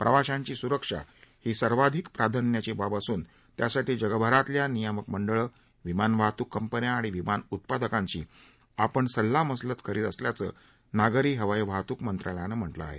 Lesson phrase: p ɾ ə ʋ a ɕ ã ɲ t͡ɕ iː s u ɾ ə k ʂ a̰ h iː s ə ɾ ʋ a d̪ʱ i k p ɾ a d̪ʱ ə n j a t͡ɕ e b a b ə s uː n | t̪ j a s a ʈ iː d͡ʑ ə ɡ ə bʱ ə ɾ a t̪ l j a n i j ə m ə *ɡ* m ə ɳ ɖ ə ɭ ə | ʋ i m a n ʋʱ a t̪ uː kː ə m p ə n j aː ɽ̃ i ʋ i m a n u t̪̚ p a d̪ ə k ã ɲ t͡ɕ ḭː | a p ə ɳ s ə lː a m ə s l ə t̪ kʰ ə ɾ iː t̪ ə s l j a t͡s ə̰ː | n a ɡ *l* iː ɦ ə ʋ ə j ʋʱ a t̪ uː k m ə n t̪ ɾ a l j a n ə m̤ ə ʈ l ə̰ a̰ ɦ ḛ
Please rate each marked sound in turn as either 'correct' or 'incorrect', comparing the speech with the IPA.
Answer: incorrect, incorrect

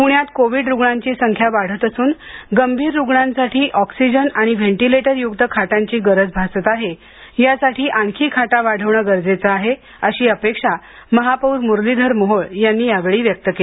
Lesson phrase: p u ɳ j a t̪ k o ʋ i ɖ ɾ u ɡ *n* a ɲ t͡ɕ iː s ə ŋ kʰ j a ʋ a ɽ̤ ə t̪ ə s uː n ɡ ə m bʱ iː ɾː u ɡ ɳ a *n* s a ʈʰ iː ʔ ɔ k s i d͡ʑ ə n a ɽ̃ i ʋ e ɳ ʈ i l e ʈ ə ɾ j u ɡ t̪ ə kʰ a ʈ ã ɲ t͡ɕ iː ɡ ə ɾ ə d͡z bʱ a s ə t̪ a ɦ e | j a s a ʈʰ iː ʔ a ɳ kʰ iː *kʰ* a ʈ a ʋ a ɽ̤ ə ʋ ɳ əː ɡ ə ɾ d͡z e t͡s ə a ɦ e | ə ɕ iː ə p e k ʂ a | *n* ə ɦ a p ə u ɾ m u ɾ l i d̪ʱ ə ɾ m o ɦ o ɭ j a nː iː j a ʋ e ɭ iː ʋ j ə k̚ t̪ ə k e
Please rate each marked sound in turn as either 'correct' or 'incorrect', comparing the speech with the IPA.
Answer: incorrect, correct, correct, incorrect

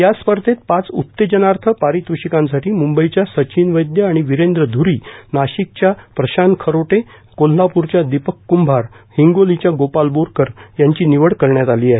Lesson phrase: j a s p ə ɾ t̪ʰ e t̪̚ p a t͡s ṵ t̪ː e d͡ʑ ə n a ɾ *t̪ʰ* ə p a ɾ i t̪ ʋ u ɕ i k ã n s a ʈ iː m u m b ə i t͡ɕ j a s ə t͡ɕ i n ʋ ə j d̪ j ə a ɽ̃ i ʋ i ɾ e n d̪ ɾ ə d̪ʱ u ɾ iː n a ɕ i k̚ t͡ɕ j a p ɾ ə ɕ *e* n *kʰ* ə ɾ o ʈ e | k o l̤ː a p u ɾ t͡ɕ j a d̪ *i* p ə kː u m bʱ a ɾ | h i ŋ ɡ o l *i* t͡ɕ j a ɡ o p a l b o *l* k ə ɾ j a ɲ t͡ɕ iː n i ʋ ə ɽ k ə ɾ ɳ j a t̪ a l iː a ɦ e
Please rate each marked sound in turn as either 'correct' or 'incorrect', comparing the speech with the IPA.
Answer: correct, incorrect, correct, correct, correct, incorrect

